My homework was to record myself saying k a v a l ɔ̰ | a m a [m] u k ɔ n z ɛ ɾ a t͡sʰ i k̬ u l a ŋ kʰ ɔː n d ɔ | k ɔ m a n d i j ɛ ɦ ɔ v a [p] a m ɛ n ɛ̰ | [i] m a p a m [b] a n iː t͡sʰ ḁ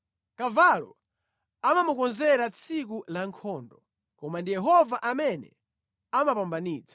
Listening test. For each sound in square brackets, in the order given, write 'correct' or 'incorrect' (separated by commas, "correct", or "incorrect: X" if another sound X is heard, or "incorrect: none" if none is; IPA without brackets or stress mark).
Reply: correct, incorrect: ʔ, incorrect: a, correct